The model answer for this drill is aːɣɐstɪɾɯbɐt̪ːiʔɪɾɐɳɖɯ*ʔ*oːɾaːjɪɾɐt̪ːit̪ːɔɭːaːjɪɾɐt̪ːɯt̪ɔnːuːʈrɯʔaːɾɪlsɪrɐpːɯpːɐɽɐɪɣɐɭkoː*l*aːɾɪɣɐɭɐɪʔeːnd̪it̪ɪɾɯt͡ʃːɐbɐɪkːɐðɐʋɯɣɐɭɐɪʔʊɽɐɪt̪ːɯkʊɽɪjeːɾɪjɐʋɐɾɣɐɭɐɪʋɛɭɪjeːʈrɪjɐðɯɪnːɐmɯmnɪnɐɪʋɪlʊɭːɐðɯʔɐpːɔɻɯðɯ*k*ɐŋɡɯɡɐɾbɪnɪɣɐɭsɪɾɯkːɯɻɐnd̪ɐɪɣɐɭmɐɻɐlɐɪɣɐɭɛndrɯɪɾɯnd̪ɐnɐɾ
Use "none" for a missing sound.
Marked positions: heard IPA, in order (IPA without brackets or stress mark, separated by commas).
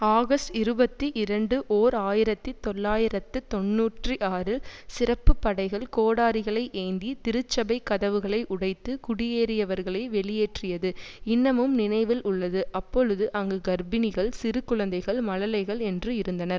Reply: ʔ, ɽ, ʔ